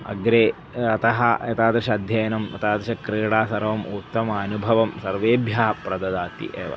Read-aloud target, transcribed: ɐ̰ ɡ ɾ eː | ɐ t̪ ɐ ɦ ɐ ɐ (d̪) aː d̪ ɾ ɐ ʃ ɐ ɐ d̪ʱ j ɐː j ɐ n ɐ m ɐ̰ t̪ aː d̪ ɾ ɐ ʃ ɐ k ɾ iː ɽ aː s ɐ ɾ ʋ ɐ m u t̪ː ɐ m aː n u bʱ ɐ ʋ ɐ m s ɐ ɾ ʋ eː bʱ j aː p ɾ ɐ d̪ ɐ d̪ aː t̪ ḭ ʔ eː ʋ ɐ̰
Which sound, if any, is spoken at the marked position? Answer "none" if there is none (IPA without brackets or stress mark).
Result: t̪